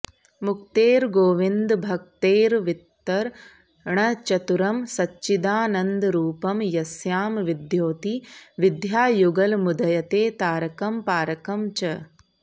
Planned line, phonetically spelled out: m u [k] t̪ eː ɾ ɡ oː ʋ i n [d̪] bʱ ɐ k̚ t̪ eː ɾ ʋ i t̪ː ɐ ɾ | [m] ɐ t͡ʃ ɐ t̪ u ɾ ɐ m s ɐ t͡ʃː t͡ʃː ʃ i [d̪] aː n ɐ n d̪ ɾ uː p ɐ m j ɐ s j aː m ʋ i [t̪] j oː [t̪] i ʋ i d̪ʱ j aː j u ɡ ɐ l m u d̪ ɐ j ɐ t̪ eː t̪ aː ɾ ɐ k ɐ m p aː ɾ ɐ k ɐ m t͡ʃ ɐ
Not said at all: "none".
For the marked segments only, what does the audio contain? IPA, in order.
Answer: k, d̪, ɳ, d̪, d̪, t̪

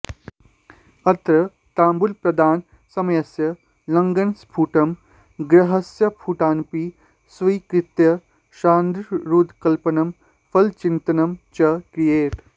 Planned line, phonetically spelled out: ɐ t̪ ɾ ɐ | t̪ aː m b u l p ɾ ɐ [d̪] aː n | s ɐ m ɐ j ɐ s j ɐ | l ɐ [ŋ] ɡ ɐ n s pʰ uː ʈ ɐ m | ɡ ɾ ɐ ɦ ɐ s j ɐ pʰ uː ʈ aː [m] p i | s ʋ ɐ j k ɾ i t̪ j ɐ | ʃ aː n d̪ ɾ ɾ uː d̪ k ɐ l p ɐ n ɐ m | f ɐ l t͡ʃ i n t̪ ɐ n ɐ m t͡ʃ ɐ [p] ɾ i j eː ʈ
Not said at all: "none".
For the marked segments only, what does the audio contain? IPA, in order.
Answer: d̪, ŋ, n, k

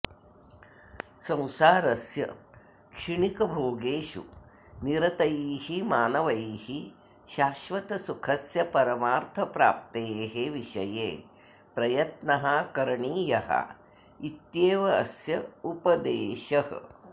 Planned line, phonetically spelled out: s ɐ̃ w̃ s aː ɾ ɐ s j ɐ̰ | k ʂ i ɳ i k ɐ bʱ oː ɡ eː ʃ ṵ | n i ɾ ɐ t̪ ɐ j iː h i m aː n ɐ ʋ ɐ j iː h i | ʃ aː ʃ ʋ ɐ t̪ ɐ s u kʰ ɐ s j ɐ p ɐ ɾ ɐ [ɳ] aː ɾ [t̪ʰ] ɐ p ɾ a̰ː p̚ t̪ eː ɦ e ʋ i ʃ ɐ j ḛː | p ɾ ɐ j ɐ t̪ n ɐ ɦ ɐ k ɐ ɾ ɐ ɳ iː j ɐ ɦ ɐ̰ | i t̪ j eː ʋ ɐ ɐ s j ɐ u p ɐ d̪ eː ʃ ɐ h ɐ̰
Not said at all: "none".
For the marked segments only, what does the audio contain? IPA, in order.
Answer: m, t̪ʰ

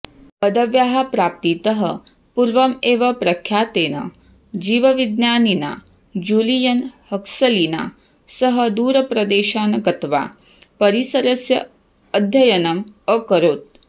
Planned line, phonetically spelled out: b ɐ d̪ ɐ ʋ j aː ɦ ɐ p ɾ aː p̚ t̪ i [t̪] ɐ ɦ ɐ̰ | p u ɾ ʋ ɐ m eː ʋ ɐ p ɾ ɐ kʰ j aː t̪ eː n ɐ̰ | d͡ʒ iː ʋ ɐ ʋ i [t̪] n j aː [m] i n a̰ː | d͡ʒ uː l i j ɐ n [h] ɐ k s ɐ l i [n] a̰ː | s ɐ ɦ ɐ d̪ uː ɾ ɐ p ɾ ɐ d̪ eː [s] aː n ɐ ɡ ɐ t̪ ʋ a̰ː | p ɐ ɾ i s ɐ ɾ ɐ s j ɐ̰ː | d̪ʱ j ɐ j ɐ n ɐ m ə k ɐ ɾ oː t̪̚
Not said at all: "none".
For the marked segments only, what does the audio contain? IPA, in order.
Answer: t̪, d̪, n, h, n, ʃ

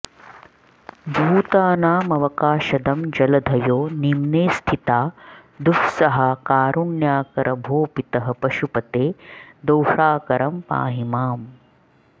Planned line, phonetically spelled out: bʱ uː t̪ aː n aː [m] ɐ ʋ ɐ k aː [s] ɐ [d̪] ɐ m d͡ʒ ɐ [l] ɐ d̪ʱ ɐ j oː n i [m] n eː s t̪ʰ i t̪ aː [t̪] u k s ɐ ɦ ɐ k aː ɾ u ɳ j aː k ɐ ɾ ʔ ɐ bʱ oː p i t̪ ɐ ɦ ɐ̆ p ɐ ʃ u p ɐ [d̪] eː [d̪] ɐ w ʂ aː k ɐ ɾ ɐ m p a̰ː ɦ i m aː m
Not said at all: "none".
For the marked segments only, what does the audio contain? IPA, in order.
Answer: m, ʃ, d̪, l, m, d̪, t̪, d̪

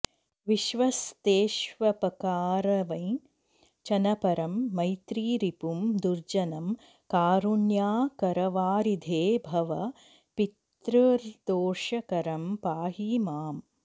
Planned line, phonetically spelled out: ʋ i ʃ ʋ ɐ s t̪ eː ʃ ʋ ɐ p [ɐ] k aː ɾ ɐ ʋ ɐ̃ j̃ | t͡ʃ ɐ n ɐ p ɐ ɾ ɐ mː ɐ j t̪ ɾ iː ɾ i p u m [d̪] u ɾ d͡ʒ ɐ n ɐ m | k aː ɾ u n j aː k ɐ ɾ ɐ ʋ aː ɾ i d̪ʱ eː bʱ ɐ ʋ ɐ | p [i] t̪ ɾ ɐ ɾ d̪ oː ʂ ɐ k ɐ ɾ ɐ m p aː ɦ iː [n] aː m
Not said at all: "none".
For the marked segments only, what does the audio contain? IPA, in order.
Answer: ɐ, d̪, i, m

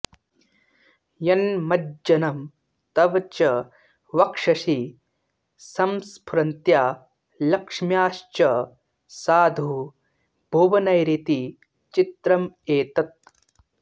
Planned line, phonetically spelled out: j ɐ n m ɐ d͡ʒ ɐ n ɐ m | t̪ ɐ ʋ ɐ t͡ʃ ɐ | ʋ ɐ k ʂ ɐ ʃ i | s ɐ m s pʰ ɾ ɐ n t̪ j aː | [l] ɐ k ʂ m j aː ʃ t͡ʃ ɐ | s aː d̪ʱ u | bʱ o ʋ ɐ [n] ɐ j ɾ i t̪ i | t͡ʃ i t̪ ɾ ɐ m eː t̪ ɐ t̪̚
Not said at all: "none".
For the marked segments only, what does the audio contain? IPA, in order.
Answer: l, n

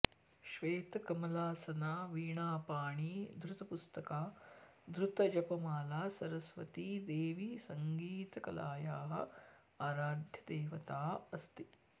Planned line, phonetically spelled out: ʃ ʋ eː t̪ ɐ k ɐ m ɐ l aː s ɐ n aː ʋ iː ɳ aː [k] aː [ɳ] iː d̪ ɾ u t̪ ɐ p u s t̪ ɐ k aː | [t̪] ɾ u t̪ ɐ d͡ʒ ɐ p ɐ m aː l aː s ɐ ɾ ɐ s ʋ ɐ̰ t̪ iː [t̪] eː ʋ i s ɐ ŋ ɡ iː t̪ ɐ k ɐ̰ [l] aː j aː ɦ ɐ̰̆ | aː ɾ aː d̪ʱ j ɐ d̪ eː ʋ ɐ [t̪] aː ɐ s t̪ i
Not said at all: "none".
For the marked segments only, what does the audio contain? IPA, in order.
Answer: p, ɳ, d̪, d̪, l, t̪

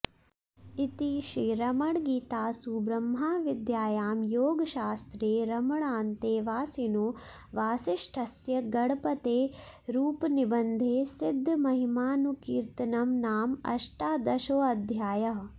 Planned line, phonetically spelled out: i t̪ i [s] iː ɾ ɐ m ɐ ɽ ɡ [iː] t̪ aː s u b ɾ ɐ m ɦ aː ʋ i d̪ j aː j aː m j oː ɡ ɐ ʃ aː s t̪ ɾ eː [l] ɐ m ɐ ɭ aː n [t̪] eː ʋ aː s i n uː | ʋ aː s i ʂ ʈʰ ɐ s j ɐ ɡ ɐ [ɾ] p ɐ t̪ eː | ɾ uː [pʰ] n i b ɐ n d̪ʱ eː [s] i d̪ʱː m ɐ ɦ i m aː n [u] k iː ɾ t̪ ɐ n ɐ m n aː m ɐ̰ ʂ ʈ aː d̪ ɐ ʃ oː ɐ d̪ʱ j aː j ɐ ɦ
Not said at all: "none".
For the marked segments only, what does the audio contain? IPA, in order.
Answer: ʃ, iː, ɾ, t̪, ɽ, p, s, u

